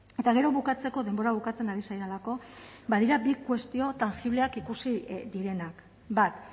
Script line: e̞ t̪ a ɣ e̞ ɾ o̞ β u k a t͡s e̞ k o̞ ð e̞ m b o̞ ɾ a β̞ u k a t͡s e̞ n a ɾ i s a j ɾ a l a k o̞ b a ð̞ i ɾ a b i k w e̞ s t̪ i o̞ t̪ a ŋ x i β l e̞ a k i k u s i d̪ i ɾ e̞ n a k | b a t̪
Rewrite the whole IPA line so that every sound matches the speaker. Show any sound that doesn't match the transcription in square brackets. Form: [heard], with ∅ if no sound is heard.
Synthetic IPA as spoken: e̞ t̪ a ɣ e̞ ɾ o̞ β u k a t͡s e̞ k o̞ ð e̞ m b o̞ ɾ a β̞ u k a t͡s e̞ n a ɾ i s a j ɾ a l a k o̞ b a ð̞ i ɾ a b i k w e̞ s t̪ i o̞ t̪ a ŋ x i β l e̞ a k i k u s i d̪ i ɾ e̞ n a k | b a t̪

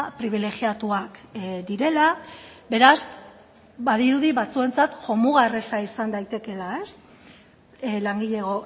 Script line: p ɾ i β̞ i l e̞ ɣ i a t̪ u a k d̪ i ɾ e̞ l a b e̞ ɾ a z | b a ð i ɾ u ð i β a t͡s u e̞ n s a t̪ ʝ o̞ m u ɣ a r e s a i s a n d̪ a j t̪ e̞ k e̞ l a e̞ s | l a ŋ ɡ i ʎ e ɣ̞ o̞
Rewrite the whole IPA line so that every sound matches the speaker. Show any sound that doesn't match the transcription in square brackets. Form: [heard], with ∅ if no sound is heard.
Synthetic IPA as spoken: p ɾ i β̞ i l e̞ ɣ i a t̪ u a k d̪ i ɾ e̞ l a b e̞ ɾ a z | b a ð i ɾ u ð i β a t͡s u e̞ n [t͡s] a t̪ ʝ o̞ m u ɣ a r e s a i s a n d̪ a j t̪ e̞ k e̞ l a e̞ s | l a ŋ ɡ i ʎ e ɣ̞ o̞

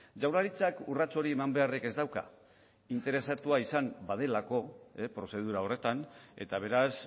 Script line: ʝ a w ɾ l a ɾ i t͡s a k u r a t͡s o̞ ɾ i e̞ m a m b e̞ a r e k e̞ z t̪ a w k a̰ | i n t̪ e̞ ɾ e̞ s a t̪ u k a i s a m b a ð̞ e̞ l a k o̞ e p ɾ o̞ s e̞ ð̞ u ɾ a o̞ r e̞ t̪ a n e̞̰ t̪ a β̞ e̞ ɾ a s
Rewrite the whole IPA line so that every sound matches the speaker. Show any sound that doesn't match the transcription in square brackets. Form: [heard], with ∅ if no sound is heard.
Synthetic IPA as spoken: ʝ a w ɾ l a ɾ i t͡s a k u r a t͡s o̞ ɾ i e̞ m a m b e̞ a r e k e̞ z [d̪] a w k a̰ | i n t̪ e̞ ɾ e̞ s a t̪ u [∅] a i s a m b a ð̞ e̞ l a k o̞ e p ɾ o̞ s e̞ ð̞ u ɾ a o̞ r e̞ t̪ a n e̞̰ t̪ a β̞ e̞ ɾ a s

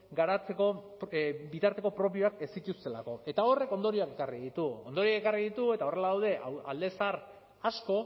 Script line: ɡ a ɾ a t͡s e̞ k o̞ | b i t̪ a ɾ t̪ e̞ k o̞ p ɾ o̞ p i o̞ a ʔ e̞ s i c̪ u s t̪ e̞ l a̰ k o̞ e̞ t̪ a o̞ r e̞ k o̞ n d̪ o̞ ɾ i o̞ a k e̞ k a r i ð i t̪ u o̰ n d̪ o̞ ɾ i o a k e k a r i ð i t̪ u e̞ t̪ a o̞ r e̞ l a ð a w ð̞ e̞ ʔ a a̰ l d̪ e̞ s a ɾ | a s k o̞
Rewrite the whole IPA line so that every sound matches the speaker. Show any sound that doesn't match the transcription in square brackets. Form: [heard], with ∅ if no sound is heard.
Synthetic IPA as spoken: ɡ a ɾ a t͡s e̞ k o̞ | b i t̪ a ɾ t̪ e̞ k o̞ p ɾ o̞ p i o̞ a [k] e̞ s i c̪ u s t̪ e̞ l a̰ k o̞ e̞ t̪ a o̞ r e̞ k o̞ n d̪ o̞ ɾ i o̞ a k e̞ k a r i ð i t̪ u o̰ n d̪ o̞ ɾ i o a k e k a r i ð i t̪ u e̞ t̪ a o̞ r e̞ l a ð a w ð̞ e̞ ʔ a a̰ l d̪ e̞ s a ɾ | a s k o̞

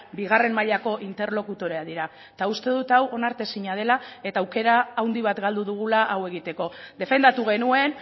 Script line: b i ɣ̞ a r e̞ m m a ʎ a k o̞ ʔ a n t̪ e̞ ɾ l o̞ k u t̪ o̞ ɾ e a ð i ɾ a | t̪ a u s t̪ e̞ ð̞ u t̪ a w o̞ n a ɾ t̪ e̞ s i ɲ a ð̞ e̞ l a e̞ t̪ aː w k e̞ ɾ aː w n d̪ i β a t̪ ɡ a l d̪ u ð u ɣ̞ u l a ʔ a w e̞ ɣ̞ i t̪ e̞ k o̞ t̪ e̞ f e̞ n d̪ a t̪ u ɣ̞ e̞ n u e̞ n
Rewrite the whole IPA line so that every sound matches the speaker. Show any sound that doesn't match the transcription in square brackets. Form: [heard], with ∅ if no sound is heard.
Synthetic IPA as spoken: b i ɣ̞ a r e̞ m m a ʎ a k o̞ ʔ [i] n t̪ e̞ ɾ l o̞ k u t̪ o̞ ɾ e a ð i ɾ a | t̪ a u s t̪ e̞ ð̞ u t̪ a w o̞ n a ɾ t̪ e̞ s i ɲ a ð̞ e̞ l a e̞ t̪ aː w k e̞ ɾ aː w n d̪ i β a t̪ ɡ a l d̪ u ð u ɣ̞ u l a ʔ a w e̞ ɣ̞ i t̪ e̞ k o̞ [d̪] e̞ f e̞ n d̪ a t̪ u ɣ̞ e̞ n u e̞ n

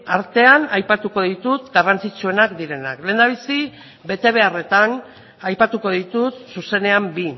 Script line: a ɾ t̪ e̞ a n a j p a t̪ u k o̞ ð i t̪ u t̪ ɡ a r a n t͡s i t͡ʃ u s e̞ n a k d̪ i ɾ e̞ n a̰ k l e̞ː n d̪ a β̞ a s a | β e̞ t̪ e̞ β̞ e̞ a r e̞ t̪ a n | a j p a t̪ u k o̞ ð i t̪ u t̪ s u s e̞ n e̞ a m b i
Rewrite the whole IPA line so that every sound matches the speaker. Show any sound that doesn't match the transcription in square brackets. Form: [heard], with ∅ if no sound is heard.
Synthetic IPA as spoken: a ɾ t̪ e̞ a n a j p a t̪ u k o̞ ð i t̪ u t̪ ɡ a r a n t͡s i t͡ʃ u [∅] e̞ n a k d̪ i ɾ e̞ n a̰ k l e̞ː n d̪ a β̞ [i] s [i] | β e̞ t̪ e̞ β̞ e̞ a r e̞ t̪ a n | a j p a t̪ u k o̞ ð i t̪ u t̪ s u s e̞ n e̞ a m b i

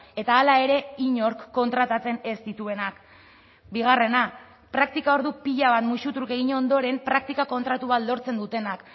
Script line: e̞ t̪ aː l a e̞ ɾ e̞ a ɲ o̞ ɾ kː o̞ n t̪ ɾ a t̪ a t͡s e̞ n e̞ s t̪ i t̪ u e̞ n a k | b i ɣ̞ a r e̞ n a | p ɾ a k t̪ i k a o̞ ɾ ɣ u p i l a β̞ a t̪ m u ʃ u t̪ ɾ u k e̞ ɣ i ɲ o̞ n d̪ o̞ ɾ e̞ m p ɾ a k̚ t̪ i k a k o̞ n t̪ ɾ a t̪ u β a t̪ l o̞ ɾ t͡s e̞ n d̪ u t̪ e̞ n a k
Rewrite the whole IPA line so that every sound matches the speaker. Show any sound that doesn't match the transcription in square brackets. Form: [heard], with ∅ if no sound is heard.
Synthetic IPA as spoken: e̞ t̪ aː l a e̞ ɾ e̞ [i] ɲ o̞ ɾ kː o̞ n t̪ ɾ a t̪ a t͡s e̞ n e̞ s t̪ i t̪ u e̞ n a k | b i ɣ̞ a r e̞ n a | p ɾ a k t̪ i k a o̞ ɾ [ð] u p i [ʎ] a β̞ a t̪ m u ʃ u t̪ ɾ u k e̞ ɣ i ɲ o̞ n d̪ o̞ ɾ e̞ m p ɾ a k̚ t̪ i k a k o̞ n t̪ ɾ a t̪ u β a t̪ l o̞ ɾ t͡s e̞ n d̪ u t̪ e̞ n a k

